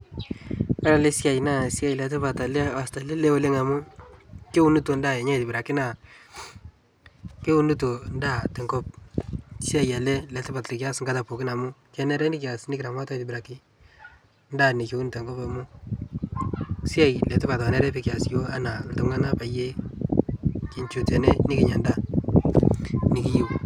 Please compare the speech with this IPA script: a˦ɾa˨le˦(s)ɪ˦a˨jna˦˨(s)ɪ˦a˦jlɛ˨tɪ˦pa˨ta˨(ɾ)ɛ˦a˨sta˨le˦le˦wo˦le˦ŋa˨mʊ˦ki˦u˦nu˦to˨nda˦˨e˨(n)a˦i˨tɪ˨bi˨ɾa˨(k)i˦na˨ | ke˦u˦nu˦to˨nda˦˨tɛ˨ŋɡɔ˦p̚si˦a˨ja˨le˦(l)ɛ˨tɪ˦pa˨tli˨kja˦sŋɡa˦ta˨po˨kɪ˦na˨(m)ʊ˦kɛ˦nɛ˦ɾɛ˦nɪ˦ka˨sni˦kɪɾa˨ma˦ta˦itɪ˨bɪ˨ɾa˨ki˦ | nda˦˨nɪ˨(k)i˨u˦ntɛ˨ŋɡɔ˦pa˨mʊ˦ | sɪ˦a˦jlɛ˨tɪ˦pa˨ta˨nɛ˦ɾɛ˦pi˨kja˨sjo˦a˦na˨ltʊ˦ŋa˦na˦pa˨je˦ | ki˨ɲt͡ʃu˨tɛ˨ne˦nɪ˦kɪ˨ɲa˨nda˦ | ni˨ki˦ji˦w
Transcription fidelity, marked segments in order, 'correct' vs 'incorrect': correct, correct, incorrect, incorrect, correct, correct, correct, correct

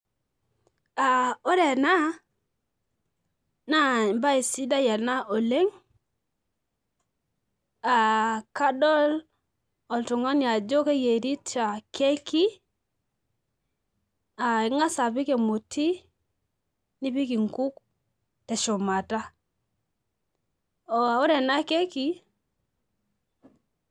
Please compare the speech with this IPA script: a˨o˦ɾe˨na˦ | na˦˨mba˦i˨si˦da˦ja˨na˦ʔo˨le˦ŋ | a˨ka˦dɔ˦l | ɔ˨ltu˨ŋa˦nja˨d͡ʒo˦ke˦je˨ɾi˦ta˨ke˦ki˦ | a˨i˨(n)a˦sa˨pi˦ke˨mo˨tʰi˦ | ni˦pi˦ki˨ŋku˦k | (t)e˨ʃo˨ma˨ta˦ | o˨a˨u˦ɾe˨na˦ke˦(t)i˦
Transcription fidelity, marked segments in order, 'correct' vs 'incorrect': incorrect, correct, incorrect

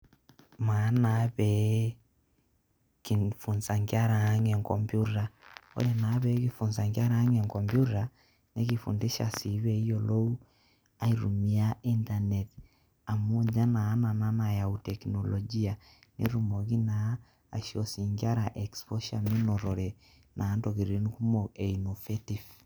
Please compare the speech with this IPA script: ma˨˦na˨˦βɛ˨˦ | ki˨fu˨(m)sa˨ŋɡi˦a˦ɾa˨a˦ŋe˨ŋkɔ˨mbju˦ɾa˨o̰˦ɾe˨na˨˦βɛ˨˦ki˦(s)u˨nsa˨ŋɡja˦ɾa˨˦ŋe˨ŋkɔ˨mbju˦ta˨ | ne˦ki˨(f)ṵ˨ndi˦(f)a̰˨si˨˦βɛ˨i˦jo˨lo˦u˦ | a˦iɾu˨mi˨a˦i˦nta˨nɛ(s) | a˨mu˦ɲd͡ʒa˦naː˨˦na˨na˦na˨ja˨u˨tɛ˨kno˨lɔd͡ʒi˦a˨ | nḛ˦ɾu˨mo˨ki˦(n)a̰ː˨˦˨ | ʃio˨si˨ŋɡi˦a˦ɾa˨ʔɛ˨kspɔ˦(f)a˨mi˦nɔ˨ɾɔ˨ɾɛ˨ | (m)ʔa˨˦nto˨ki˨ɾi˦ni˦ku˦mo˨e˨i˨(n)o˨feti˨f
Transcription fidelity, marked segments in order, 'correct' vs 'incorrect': incorrect, incorrect, correct, incorrect, incorrect, correct, incorrect, incorrect, correct

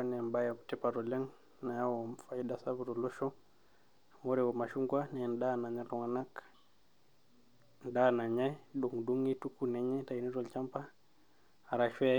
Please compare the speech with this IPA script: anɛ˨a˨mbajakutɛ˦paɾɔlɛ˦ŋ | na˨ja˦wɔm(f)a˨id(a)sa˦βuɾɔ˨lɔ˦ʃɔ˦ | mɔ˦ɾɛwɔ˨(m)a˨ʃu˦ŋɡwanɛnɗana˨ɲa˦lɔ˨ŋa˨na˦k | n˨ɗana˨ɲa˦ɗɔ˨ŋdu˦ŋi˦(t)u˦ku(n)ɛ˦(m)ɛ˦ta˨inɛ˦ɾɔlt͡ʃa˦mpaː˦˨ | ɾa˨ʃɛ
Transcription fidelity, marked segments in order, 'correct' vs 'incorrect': correct, correct, correct, correct, correct, incorrect

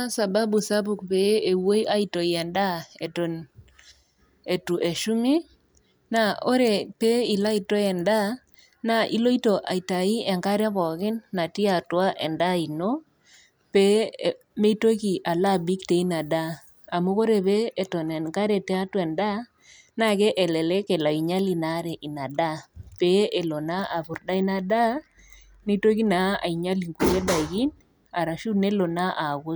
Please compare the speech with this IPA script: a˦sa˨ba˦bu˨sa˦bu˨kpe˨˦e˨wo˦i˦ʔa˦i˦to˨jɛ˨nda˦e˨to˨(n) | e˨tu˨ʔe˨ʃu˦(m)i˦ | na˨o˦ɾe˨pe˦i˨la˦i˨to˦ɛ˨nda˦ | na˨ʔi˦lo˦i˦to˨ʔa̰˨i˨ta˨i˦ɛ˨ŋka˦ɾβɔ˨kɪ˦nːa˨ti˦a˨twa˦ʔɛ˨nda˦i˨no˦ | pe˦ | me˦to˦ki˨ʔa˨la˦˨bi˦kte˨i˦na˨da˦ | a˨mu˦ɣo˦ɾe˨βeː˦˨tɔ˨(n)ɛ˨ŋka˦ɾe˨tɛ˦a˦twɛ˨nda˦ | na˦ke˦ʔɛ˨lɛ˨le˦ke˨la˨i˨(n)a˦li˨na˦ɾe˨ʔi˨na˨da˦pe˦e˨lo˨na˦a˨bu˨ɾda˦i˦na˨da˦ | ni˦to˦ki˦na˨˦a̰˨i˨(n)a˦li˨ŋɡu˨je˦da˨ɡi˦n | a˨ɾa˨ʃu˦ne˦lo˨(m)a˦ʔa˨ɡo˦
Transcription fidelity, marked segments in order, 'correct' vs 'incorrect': correct, correct, correct, incorrect, incorrect, incorrect

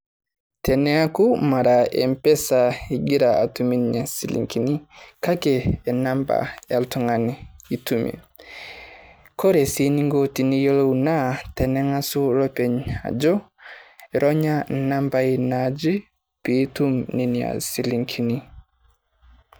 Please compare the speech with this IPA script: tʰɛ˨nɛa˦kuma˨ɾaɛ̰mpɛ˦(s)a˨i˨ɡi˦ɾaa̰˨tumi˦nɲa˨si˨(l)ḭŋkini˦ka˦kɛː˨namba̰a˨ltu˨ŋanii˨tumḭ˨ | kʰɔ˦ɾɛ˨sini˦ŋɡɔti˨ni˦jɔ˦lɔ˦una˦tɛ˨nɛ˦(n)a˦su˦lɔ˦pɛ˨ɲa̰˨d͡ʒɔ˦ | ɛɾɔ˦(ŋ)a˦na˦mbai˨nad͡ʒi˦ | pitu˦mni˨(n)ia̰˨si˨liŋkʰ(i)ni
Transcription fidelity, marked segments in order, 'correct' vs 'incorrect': correct, correct, incorrect, incorrect, correct, correct

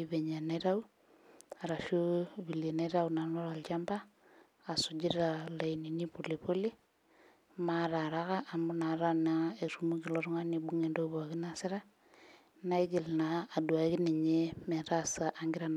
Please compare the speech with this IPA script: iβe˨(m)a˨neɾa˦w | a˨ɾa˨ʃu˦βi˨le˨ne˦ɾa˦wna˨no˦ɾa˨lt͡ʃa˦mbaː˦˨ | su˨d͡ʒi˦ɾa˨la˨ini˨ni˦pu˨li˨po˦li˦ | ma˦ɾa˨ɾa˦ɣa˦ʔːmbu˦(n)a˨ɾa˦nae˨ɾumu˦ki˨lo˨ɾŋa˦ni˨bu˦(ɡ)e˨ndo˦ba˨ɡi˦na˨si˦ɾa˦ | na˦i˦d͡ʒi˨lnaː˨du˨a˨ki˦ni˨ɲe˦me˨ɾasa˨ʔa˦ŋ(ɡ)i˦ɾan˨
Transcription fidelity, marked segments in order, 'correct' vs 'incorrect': incorrect, correct, incorrect, correct

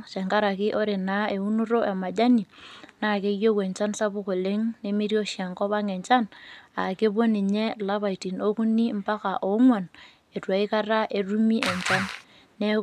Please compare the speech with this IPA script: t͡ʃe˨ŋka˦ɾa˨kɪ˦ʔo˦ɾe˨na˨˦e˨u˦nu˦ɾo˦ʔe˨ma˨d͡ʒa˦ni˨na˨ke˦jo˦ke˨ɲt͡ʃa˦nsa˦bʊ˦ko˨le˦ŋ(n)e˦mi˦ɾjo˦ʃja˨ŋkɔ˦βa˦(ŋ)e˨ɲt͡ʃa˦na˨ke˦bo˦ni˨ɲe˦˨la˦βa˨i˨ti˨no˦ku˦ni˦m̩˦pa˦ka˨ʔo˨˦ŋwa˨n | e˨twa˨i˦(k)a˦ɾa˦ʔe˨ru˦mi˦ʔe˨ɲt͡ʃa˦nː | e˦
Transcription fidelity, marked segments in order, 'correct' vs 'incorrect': correct, correct, correct

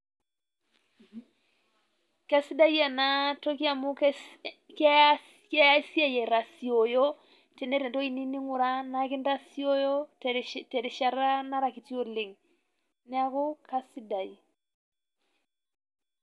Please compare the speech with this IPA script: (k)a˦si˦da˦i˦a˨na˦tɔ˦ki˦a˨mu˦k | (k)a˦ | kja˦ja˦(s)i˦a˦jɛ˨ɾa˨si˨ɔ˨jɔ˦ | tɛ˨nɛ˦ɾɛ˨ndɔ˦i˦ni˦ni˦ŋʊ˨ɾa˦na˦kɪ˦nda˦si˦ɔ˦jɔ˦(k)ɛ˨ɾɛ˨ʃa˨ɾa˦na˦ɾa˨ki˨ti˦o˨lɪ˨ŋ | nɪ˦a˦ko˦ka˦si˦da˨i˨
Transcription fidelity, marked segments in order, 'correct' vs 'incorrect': correct, correct, correct, incorrect

